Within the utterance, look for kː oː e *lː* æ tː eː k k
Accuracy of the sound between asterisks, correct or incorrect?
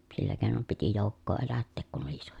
incorrect